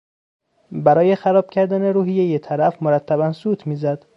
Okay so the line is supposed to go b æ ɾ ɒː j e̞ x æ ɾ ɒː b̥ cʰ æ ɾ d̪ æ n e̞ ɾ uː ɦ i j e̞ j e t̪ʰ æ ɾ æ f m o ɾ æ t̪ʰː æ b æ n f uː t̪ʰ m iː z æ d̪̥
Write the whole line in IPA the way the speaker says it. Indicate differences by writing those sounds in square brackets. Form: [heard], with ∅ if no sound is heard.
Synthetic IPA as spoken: b æ ɾ ɒː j e̞ x æ ɾ ɒː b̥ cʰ æ ɾ d̪ æ n e̞ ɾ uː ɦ i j e̞ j e t̪ʰ æ ɾ æ f m o ɾ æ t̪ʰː æ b æ n [s] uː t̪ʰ m iː z æ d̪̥